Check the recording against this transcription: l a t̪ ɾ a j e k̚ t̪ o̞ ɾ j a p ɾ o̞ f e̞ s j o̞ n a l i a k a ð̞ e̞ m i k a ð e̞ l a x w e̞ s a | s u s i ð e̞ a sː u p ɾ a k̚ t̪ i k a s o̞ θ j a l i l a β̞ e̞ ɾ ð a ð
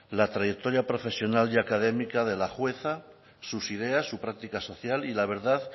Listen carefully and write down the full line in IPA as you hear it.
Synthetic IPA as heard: l a t̪ ɾ a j e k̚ t̪ o̞ ɾ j a p ɾ o̞ f e̞ s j o̞ n a l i a k a ð̞ e̞ m i k a ð e̞ l a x w e̞ θ a | s u s i ð e̞ a sː u p ɾ a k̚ t̪ i k a s o̞ θ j a l i l a β̞ e̞ ɾ ð a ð